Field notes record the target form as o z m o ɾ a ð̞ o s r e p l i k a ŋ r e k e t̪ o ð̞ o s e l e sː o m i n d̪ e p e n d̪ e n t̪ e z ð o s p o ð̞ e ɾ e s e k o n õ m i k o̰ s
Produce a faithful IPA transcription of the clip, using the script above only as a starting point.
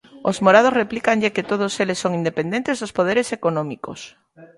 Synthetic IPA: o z m o ɾ a ð̞ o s r e p l i k a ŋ ʎ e k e t̪ o ð̞ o s e l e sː o ŋ i n d̪ e p e n d̪ e n t̪ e z ð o s p o ð̞ e ɾ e s e k o n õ m i k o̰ s